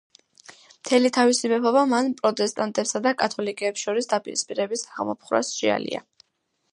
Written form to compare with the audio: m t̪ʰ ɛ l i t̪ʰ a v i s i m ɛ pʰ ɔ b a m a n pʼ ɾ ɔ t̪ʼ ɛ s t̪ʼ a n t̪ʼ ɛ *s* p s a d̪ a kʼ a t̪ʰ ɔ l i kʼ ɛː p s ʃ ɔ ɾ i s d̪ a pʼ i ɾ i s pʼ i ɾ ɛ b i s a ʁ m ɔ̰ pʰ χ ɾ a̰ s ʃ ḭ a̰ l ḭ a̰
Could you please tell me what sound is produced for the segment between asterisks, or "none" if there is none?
none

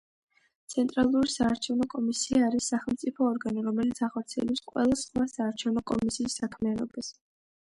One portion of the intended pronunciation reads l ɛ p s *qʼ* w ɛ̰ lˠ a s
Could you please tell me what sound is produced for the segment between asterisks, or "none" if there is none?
qʼ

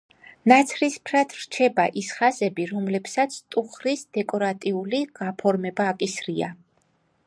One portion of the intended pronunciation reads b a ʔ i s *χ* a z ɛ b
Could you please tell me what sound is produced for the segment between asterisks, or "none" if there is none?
χ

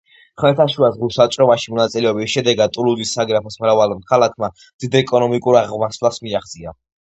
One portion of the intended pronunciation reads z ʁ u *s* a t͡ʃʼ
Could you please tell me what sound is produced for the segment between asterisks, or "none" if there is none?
s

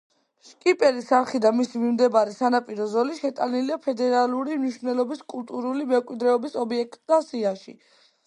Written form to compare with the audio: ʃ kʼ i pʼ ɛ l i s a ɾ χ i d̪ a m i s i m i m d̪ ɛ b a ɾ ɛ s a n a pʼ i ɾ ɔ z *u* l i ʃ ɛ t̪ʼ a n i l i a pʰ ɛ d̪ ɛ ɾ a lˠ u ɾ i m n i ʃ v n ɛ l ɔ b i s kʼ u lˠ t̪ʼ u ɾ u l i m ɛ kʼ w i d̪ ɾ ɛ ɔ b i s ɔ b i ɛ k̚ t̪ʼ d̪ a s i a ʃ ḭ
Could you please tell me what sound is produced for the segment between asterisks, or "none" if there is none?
ɔ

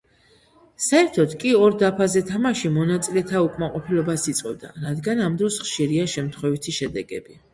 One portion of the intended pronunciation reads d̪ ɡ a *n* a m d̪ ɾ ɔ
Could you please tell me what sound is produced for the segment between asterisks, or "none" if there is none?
n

